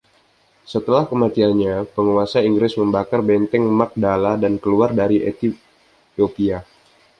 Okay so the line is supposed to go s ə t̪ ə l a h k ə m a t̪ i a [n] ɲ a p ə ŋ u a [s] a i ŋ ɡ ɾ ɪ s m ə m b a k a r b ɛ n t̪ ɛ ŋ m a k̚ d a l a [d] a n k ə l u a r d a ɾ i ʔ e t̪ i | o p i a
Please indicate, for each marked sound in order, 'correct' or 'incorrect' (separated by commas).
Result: correct, correct, correct